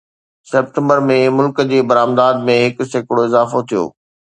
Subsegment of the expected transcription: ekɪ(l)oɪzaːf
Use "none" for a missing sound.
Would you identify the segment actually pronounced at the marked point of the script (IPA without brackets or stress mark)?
ɽ